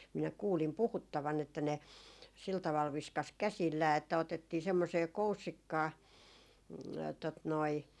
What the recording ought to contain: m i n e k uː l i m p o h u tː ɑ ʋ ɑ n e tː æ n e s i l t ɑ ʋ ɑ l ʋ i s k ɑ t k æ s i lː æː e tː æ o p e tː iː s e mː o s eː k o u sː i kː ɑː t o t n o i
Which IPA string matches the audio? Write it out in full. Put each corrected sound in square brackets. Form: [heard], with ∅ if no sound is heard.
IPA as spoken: m i n [æ] k uː l i m p [u] h u tː ɑ ʋ ɑ n e tː æ n e s i l t ɑ ʋ ɑ l ʋ i s k ɑ [s] k æ s i lː æː e tː æ o [t] e tː iː s e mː o s eː k o u sː i kː ɑː t o t n o i